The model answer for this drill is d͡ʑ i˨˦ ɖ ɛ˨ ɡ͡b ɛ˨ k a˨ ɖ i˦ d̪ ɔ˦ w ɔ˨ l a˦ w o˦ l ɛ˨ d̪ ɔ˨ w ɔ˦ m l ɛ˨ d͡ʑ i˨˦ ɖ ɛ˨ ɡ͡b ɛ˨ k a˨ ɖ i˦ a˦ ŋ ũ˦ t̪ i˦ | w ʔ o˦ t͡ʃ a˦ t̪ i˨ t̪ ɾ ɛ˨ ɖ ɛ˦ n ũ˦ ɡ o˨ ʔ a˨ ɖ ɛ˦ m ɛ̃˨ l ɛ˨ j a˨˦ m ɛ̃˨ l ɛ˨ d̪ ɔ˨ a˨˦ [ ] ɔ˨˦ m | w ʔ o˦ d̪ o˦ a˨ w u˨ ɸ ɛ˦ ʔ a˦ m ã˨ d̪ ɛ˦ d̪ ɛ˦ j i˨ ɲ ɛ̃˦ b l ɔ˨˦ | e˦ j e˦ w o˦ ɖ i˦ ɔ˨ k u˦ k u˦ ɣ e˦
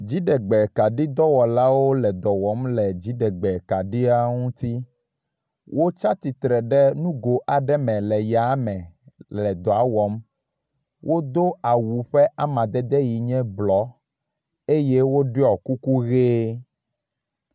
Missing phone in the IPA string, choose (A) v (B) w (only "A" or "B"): B